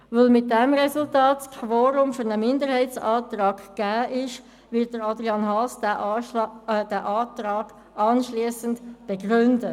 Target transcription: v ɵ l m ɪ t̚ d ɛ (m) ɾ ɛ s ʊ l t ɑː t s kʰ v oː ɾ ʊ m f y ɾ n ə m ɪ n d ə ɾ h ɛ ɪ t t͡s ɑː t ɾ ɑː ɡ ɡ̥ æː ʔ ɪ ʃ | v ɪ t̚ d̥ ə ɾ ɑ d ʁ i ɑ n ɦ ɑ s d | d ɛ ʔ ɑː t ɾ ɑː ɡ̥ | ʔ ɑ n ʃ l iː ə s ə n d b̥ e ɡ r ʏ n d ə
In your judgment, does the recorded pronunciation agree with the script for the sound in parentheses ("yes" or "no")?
yes